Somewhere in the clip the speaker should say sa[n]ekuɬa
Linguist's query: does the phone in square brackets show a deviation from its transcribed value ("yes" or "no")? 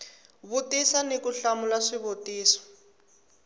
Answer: no